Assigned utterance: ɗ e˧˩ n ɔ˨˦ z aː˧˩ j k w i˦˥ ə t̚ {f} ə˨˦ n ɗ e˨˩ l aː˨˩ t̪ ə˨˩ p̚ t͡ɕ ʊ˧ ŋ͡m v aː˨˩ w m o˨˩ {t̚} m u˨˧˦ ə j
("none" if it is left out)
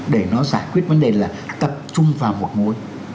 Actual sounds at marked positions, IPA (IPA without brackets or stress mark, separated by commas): v, t̚